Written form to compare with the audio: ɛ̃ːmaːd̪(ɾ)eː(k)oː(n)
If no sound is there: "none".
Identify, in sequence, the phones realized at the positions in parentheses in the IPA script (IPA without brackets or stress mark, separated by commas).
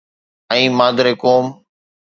ɾ, k, m